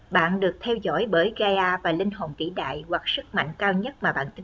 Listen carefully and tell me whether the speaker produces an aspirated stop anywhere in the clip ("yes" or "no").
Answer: yes